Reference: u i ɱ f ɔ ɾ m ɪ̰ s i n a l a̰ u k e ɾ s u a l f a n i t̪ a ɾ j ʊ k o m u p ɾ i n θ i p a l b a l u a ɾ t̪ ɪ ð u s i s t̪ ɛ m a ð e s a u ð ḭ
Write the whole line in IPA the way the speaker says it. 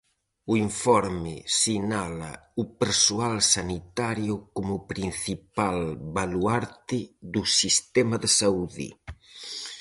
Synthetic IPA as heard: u i ɱ f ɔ ɾ m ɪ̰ s i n a l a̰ u p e ɾ s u a l s a n i t̪ a ɾ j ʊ k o m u p ɾ i n θ i p a l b a l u a ɾ t̪ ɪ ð u s i s t̪ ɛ m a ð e s a u ð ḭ